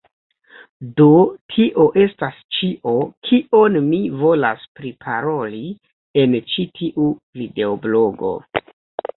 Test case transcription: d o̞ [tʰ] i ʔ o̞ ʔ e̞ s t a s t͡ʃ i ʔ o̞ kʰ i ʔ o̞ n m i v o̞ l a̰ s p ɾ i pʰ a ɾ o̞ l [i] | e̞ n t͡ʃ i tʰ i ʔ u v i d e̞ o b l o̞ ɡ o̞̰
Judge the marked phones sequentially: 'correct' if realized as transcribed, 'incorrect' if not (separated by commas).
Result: correct, correct